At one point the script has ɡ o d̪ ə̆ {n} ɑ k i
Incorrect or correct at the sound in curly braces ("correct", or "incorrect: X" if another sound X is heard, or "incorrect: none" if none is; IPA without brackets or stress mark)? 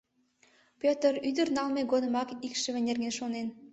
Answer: incorrect: m